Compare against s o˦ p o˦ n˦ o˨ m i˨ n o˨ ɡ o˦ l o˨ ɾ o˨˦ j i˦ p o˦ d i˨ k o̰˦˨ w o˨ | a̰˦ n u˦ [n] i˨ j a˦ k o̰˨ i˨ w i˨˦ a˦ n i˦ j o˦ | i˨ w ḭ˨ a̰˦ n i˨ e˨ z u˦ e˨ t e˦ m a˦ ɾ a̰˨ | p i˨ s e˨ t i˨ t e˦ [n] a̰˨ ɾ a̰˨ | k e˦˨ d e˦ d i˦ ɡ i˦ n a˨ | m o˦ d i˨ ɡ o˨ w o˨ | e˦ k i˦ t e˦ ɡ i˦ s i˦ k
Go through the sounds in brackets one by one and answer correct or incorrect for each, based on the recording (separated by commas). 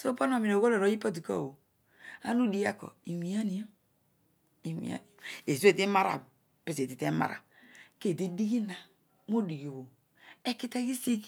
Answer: incorrect, incorrect